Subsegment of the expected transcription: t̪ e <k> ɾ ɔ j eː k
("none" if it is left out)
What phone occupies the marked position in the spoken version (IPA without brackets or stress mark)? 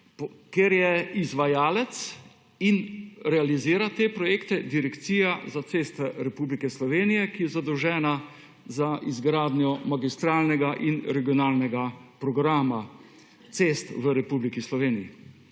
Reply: p